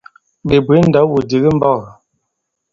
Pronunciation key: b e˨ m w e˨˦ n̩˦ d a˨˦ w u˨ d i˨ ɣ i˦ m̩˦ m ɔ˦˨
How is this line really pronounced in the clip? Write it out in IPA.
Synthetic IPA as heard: b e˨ b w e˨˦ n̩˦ d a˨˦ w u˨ d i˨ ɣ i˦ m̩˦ b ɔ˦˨

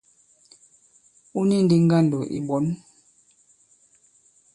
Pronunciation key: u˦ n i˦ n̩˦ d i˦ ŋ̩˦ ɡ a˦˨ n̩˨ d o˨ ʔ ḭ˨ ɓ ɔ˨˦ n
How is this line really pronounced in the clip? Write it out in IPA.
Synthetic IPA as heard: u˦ n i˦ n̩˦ d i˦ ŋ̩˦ ɡ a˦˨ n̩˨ d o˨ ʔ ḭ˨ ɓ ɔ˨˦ n

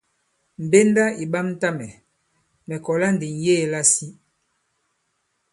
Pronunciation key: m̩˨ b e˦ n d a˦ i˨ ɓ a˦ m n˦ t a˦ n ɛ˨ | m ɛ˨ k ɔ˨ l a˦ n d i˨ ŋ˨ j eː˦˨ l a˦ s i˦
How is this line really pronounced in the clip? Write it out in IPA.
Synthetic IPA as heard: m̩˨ b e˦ n d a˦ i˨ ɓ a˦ m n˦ t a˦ m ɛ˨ | m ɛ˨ k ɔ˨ l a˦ n d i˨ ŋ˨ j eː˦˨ l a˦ s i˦

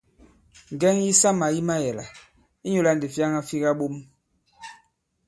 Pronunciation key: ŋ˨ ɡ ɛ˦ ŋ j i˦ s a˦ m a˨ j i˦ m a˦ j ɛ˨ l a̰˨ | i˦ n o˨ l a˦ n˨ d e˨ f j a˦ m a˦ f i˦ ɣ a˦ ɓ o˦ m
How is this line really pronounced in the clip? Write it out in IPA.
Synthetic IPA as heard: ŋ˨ ɡ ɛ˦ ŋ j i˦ s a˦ m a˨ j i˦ m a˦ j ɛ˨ l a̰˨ | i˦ ɲ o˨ l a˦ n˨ d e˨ f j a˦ ŋ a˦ f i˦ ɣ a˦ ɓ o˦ m

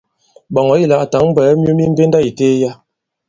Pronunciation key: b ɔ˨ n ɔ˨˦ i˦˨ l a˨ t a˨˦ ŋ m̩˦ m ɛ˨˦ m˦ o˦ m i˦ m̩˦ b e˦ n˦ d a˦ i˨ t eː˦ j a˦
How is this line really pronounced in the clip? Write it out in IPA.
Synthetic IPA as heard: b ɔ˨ ŋ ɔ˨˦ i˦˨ l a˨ t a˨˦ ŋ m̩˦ b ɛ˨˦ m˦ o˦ m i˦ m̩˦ b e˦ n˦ d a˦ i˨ t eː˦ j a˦

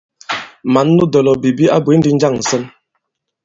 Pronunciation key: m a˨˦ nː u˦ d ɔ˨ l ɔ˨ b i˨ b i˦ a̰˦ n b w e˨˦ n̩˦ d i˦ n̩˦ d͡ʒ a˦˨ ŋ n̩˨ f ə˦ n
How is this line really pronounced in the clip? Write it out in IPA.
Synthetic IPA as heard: m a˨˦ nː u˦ d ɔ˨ l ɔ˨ b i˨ b i˦ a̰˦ b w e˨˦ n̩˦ d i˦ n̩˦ d͡ʒ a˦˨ ŋ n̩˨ s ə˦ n

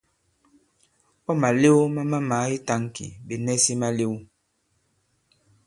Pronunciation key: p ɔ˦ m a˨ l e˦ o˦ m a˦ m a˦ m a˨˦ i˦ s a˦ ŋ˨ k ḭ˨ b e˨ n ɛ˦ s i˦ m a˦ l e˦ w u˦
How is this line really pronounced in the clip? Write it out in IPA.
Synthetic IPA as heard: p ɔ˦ m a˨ l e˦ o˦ m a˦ m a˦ m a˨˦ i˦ t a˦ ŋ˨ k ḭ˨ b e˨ n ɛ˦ s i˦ m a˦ l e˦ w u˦

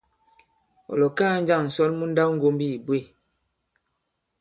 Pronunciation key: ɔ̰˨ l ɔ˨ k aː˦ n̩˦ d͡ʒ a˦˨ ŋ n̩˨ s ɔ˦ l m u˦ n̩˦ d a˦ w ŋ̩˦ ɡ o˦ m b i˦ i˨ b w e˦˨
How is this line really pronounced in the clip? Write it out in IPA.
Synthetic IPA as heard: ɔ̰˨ l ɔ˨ k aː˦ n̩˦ d͡ʒ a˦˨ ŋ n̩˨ s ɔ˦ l m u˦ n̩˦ d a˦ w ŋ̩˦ ɡ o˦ m b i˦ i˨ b w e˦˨

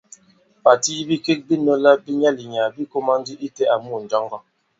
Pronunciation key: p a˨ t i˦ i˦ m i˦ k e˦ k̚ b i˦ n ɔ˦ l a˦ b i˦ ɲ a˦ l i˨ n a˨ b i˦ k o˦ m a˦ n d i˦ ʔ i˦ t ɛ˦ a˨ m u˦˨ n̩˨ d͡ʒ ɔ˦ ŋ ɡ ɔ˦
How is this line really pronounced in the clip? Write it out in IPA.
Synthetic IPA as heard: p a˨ t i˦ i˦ b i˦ k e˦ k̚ b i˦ n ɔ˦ l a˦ b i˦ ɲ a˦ l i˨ ɲ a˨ b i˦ k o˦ m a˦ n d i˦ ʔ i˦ t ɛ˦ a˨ m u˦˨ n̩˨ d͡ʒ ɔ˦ ŋ ɡ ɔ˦

